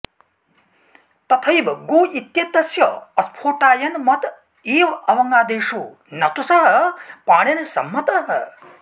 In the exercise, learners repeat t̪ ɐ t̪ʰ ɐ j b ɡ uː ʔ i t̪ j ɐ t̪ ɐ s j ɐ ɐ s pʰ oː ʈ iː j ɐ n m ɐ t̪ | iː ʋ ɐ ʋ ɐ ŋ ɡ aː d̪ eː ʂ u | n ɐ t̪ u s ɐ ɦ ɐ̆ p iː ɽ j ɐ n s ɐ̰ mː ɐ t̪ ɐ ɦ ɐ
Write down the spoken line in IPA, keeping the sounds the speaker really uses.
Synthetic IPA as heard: t̪ ɐ t̪ʰ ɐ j b ɡ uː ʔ i t̪ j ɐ t̪ ɐ s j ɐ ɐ s pʰ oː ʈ aː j ɐ n m ɐ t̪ | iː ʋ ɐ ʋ ɐ ŋ ɡ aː d̪ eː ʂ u | n ɐ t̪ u s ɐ ɦ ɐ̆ p aː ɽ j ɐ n s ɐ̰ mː ɐ t̪ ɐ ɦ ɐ